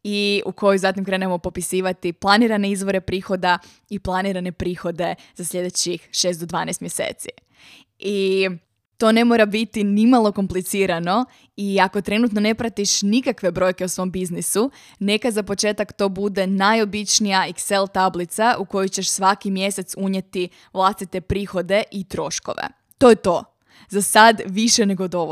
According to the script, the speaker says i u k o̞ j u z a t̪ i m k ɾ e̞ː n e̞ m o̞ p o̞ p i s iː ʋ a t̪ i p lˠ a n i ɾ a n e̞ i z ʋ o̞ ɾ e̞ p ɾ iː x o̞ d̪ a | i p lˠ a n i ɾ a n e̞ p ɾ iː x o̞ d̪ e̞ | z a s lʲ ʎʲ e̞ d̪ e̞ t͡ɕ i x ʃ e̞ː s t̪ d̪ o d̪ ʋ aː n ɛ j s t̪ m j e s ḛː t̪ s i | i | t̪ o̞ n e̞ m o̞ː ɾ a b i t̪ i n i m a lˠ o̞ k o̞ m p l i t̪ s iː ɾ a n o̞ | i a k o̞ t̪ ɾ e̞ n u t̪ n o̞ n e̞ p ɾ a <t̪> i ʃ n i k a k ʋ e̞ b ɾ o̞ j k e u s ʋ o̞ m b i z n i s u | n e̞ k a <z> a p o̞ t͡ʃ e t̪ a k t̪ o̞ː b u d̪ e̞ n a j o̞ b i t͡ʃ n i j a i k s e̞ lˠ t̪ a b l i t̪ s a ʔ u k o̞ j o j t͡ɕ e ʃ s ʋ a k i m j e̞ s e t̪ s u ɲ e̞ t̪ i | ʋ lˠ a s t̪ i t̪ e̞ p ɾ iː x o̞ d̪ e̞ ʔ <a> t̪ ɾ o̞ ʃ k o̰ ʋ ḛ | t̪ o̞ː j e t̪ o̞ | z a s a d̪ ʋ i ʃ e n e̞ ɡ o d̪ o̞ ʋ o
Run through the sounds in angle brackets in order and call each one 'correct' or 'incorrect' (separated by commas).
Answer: correct, correct, incorrect